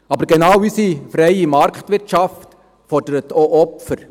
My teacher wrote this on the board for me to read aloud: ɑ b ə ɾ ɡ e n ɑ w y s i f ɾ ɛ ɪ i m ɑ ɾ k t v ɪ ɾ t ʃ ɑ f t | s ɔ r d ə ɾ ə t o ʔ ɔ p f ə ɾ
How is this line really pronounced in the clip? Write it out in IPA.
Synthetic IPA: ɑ b ə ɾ ɡ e n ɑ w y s i f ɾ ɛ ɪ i m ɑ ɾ k t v ɪ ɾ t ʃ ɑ f t | f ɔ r d ə ɾ ə t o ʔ ɔ p f ə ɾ